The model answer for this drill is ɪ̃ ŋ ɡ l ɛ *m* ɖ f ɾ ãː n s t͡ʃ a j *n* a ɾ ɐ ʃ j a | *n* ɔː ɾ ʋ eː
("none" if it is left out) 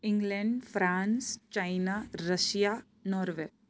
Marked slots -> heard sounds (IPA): ɳ, n, n

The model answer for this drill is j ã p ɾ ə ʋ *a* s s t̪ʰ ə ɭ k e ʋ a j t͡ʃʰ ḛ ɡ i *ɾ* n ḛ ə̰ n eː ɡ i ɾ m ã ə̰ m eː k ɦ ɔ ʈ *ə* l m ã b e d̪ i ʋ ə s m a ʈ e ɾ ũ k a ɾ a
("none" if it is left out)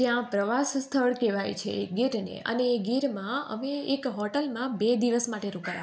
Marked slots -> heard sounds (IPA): a, ɾ, ə

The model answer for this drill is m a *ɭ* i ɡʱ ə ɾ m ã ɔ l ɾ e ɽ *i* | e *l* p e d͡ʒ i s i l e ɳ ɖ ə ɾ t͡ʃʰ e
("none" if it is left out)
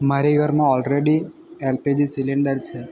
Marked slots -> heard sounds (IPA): ɾ, i, l

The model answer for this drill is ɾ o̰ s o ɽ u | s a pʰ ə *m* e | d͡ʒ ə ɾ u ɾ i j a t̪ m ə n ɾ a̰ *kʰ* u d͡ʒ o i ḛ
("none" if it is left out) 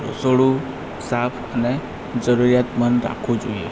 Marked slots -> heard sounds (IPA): n, kʰ

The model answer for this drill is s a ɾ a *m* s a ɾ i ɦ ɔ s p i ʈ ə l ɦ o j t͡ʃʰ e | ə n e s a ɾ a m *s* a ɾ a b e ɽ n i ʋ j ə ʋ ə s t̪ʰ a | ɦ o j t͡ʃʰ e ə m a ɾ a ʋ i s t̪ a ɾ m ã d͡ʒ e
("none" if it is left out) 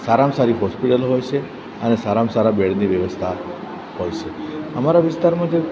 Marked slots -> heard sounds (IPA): m, s

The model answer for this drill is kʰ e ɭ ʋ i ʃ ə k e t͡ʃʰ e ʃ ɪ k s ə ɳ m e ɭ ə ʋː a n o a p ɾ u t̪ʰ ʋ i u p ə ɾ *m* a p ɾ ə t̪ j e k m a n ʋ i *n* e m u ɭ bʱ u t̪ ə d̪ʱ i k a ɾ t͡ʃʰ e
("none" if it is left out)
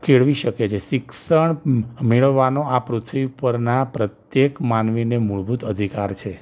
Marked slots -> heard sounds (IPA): n, n

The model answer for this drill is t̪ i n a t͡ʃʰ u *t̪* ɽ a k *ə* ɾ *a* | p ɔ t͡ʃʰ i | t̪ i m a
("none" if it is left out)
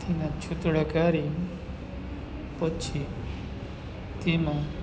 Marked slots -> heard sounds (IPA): t̪, a, i

